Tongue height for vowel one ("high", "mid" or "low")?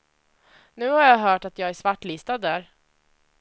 high